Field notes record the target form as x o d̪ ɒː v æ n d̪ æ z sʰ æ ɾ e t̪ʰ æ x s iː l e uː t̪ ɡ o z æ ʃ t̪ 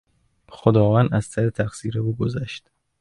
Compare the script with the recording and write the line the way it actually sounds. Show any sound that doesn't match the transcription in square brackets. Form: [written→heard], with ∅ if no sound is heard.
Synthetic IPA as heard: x o d̪ ɒː v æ n d̪ æ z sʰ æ ɾ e t̪ʰ æ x s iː [l→ɾ] e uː [t̪→∅] ɡ o z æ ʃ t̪

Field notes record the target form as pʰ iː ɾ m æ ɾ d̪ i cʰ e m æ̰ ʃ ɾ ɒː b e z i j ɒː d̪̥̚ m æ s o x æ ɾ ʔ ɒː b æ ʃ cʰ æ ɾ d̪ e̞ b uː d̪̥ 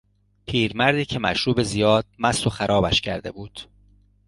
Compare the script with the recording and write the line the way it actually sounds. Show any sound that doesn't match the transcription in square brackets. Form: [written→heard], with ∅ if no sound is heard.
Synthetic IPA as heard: pʰ iː ɾ m æ ɾ d̪ [i→iː] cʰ e m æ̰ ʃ ɾ [ɒː→uː] b e z i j ɒː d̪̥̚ m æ s o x æ ɾ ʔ ɒː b æ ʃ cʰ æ ɾ d̪ e̞ b uː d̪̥

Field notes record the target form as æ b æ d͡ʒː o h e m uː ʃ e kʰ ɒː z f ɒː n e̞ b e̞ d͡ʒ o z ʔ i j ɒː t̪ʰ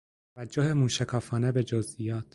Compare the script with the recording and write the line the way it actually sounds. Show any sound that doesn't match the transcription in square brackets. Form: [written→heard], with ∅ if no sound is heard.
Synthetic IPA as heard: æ [b→v] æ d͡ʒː o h e m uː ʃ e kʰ ɒː [z→∅] f ɒː n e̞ b e̞ d͡ʒ o z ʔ i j ɒː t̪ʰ

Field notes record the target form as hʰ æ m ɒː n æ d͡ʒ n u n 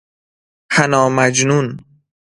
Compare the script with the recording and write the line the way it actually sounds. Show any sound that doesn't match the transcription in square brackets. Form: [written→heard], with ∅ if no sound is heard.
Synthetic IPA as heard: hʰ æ [m→n] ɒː [n→m] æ d͡ʒ n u n

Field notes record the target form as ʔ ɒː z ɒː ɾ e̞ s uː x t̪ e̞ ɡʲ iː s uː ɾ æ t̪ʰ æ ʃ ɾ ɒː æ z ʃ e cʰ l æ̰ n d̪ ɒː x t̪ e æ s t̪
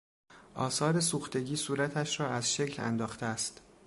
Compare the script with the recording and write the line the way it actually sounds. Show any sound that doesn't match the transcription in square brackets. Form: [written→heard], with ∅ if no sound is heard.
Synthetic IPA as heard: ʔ ɒː [z→s] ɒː ɾ e̞ s uː x t̪ e̞ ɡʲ iː s uː ɾ æ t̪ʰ æ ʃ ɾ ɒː æ z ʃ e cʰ l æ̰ n d̪ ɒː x t̪ e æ s t̪

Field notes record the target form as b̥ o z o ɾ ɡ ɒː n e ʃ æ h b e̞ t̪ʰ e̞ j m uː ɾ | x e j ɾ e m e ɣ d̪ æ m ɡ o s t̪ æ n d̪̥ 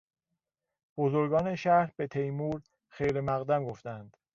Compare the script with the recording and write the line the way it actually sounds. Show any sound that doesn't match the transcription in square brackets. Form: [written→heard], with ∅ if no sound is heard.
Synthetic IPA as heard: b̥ o z o ɾ ɡ ɒː n e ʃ æ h b e̞ t̪ʰ e̞ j m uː ɾ | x e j ɾ e m [e→æ] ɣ d̪ æ m ɡ o [s→f] t̪ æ n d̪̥

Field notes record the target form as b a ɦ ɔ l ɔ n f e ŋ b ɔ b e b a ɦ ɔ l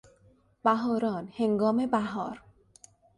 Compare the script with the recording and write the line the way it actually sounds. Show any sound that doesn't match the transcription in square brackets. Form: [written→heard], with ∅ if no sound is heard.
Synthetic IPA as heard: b a ɦ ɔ [l→ɾ] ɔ n [f→h] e ŋ [b→ɡ] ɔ [b→m] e b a ɦ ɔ [l→ɾ]

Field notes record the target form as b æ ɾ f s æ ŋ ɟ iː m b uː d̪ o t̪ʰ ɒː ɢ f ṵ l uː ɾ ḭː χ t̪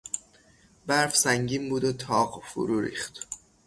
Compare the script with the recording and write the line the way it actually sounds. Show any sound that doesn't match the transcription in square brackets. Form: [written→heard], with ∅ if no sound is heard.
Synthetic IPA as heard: b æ ɾ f s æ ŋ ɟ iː m b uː d̪ o t̪ʰ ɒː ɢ f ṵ [l→ɾ] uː ɾ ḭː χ t̪

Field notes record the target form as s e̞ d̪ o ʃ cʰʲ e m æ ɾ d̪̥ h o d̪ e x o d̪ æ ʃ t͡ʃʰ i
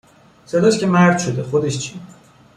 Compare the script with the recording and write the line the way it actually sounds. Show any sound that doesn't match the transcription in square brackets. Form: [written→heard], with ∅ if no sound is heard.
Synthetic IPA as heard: s e̞ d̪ [o→ɒ] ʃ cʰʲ e m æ ɾ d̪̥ [h→ʃ] o d̪ e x o d̪ [æ→e] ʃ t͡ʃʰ i

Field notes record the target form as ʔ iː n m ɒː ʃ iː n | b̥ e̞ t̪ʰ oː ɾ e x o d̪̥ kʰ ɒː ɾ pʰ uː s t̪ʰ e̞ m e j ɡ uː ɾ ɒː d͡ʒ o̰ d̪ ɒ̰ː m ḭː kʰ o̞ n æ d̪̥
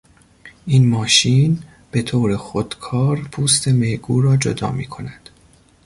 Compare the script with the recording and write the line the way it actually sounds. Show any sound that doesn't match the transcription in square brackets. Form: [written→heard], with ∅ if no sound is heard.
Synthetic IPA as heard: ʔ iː n m ɒː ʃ iː n | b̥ e̞ t̪ʰ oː ɾ e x o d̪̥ kʰ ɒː ɾ pʰ uː s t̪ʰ e̞ m e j ɡ uː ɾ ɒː d͡ʒ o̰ d̪ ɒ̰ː m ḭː kʰ o̞ n æ d̪̥

